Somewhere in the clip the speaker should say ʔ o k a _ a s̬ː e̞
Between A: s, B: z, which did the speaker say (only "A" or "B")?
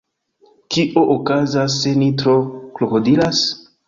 B